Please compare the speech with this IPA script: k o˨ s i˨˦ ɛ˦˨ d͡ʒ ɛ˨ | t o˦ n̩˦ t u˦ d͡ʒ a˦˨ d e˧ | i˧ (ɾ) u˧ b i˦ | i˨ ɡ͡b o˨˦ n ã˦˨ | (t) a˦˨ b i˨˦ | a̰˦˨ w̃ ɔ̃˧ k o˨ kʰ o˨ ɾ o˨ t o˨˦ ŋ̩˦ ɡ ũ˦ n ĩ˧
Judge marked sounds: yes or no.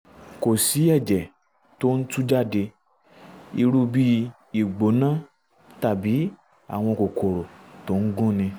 yes, yes

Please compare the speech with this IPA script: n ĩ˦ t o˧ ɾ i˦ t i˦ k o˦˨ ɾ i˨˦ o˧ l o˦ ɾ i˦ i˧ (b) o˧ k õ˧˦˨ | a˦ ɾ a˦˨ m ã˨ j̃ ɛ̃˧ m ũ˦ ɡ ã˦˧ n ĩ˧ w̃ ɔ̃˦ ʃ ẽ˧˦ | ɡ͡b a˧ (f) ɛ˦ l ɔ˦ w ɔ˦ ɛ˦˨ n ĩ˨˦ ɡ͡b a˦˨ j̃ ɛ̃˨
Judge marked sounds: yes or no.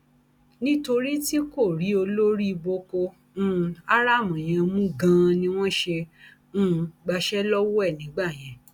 yes, no

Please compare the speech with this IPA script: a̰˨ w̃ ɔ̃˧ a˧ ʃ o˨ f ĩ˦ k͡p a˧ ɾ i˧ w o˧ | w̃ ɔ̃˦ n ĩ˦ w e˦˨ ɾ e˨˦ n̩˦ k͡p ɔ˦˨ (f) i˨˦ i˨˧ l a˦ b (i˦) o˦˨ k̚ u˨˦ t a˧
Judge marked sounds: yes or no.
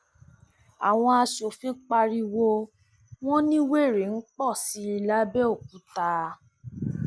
no, no

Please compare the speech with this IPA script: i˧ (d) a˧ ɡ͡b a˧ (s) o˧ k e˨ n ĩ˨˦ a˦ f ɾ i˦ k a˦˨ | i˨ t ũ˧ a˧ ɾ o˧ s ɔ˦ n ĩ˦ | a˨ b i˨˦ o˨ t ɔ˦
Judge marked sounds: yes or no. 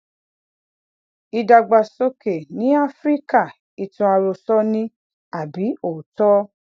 yes, yes

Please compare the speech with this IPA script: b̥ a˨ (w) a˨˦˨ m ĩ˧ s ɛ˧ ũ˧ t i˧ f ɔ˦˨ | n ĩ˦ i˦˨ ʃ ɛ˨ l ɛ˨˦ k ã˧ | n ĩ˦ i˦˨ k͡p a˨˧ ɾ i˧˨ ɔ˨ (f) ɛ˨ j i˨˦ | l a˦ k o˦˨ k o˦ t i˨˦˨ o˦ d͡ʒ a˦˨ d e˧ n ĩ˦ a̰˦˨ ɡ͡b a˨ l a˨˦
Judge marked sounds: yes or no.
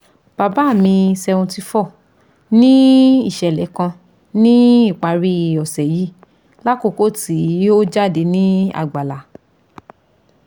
no, no

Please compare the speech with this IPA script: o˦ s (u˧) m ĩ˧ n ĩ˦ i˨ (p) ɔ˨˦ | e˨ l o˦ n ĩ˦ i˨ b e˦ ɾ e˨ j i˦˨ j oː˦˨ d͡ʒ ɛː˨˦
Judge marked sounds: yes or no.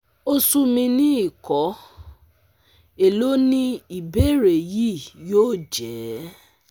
yes, no

